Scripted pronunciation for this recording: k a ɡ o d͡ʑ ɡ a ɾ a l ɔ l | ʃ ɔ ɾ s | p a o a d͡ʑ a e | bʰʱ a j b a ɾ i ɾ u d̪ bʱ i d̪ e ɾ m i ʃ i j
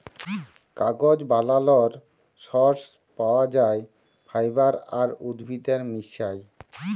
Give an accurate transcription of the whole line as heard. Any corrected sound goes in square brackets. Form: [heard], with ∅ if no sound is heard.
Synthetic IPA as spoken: k a ɡ o d͡ʑ [b] a [l] a l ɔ [ɾ] | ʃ ɔ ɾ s | p a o a d͡ʑ a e | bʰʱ a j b a ɾ [a] ɾ u d̪ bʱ i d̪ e ɾ m i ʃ [a] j